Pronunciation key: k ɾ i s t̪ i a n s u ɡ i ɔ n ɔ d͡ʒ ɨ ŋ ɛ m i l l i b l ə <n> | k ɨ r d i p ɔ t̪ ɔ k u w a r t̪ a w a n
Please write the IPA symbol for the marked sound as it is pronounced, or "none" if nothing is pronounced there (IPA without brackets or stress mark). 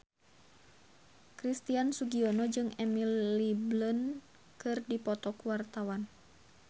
n